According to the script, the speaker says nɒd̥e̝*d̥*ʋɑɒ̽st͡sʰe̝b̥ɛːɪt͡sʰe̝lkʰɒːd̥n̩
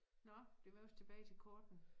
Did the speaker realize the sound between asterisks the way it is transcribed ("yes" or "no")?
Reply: no